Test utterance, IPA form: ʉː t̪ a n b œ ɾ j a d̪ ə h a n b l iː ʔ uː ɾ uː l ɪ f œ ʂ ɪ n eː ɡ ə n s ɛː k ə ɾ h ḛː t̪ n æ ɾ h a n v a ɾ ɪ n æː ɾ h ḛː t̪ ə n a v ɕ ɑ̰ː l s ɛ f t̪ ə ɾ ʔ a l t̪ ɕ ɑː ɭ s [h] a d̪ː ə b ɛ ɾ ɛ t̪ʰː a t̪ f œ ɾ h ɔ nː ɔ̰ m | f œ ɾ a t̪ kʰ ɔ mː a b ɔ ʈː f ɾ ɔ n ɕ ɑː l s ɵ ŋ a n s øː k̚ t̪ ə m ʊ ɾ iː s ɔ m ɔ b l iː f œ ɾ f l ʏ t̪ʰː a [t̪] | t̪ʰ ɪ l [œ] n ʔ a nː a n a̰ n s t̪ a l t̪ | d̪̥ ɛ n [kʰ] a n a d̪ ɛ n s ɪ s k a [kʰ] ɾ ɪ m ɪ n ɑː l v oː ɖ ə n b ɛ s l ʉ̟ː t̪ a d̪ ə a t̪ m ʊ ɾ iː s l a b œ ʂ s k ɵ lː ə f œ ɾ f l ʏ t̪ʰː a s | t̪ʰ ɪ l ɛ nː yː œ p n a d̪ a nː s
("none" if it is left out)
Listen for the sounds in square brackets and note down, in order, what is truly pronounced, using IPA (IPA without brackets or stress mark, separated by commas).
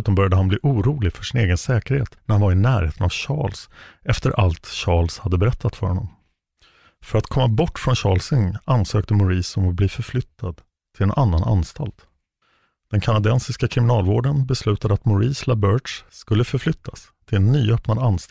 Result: h, d̪, ɛ, kʰ, kʰ